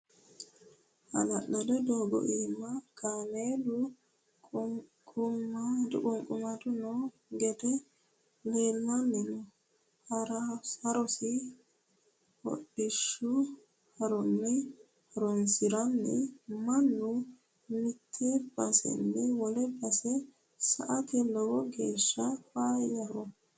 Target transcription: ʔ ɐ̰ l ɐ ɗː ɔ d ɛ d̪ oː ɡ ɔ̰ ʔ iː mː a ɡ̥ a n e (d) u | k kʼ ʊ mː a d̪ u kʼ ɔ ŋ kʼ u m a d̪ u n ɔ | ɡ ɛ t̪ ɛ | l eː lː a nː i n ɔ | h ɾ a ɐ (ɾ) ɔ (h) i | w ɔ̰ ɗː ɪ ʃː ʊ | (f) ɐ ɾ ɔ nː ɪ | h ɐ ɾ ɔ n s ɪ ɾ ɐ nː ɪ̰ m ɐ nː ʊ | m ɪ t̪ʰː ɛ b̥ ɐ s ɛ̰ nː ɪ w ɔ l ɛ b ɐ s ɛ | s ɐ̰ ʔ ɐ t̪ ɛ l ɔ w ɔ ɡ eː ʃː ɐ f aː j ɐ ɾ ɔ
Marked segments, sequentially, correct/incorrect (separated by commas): correct, correct, incorrect, incorrect